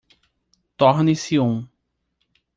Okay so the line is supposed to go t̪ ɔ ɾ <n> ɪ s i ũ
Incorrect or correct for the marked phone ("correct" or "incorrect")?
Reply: correct